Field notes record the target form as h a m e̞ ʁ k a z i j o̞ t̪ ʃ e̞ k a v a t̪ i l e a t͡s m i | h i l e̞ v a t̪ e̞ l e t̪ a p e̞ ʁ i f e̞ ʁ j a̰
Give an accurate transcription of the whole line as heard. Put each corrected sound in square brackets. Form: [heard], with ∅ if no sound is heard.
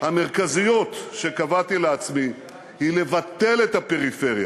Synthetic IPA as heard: h a m e̞ ʁ k a z i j o̞ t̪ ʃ e̞ k a v a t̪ i l e a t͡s m i | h i l e̞ v a t̪ e̞ l e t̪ a p e̞ ʁ i f e̞ ʁ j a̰

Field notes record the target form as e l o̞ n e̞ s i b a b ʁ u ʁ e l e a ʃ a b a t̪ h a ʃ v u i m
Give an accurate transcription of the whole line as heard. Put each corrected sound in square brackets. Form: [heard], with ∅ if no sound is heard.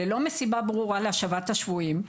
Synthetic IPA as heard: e l o̞ [m] e̞ s i b a b ʁ u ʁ [a] l e a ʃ a [v] a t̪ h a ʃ v u i m

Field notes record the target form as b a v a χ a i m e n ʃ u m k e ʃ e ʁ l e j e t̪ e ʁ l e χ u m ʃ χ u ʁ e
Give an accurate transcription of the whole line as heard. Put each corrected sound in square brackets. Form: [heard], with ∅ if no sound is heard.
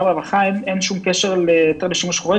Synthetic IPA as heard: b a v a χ a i m e n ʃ u m k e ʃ e ʁ l e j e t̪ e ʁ l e [ʃ] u m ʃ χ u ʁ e

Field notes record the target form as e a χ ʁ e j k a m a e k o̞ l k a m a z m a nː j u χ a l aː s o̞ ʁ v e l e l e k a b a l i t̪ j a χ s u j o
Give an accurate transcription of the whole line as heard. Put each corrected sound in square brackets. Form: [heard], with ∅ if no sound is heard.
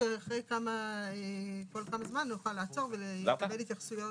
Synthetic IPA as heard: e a χ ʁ e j k a m a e k o̞ l k a m a z m a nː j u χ a l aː [t͡s] o̞ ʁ v e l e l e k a b [e] l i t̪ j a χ s u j o

